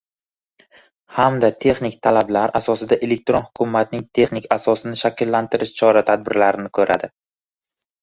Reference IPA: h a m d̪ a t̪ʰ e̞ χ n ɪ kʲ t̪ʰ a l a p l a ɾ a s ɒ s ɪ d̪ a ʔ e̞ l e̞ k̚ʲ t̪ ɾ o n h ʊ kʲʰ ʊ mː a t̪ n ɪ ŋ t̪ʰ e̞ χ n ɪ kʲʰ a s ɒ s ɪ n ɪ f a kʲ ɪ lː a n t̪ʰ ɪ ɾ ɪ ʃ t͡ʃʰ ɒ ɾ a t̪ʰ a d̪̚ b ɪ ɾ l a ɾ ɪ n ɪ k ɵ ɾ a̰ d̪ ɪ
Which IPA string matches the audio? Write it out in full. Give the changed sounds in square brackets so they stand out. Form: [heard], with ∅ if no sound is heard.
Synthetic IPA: h a m d̪ a t̪ʰ e̞ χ n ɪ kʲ t̪ʰ a l a [b] l a ɾ a s ɒ s ɪ d̪ a ʔ e̞ l e̞ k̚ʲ t̪ ɾ o n h ʊ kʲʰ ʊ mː a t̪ n ɪ ŋ t̪ʰ e̞ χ n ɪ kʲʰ a s ɒ s ɪ n ɪ [ʃ] a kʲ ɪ lː a n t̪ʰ ɪ ɾ ɪ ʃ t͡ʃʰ ɒ ɾ a t̪ʰ a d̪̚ b ɪ ɾ l a ɾ ɪ n ɪ [kʰ] ɵ ɾ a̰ d̪ ɪ